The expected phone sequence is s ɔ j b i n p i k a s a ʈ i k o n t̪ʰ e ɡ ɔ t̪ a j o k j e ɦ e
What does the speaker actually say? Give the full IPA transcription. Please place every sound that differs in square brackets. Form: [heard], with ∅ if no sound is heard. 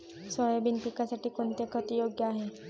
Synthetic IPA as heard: s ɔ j b i n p i k a s a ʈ i k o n [t̪] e [k] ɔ t̪ [i] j o [ɡ] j [a] ɦ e